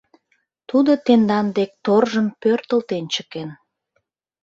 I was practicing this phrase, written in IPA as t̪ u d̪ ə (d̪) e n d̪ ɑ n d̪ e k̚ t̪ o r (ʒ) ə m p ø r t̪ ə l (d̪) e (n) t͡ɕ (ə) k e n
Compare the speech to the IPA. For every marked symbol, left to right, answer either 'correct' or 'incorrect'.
incorrect, correct, incorrect, correct, correct

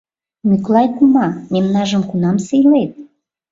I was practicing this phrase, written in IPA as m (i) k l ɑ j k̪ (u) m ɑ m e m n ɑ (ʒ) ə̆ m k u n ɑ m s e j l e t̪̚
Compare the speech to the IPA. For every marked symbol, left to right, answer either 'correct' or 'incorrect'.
incorrect, correct, correct

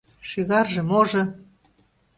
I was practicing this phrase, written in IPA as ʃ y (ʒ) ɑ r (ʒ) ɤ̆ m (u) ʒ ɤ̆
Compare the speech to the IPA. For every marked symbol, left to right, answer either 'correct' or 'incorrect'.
incorrect, correct, incorrect

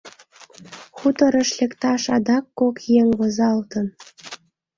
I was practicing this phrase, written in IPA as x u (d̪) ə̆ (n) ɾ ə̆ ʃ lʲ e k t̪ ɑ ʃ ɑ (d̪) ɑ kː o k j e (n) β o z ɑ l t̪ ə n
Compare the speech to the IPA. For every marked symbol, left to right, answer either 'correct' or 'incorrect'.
incorrect, incorrect, correct, incorrect

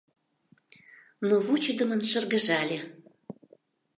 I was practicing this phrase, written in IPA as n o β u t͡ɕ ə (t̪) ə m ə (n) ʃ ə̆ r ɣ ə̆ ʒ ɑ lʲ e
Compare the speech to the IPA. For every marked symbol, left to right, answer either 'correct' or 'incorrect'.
incorrect, correct

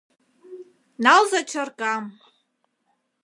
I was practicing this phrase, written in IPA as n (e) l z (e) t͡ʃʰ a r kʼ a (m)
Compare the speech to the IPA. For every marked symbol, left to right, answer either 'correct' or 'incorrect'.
incorrect, incorrect, correct

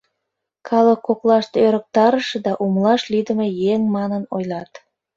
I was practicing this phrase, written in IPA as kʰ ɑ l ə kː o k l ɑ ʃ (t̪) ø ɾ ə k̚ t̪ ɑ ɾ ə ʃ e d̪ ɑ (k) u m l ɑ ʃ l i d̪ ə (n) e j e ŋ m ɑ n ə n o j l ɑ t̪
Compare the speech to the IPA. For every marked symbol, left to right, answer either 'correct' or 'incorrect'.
correct, incorrect, incorrect

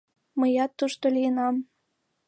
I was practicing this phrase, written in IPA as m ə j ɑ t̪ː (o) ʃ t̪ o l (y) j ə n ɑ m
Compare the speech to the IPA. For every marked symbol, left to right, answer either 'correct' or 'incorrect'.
incorrect, incorrect

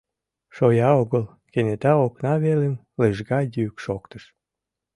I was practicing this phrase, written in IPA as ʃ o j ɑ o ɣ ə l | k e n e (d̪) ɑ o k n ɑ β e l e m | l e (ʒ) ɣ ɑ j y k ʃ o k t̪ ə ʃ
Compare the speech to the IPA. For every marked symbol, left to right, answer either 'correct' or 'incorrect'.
incorrect, correct

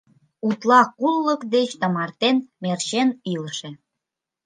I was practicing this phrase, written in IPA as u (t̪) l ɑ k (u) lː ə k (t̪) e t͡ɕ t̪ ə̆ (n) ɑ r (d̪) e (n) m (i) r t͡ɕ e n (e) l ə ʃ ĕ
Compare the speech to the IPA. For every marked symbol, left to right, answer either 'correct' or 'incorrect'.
correct, correct, incorrect, incorrect, incorrect, correct, incorrect, incorrect

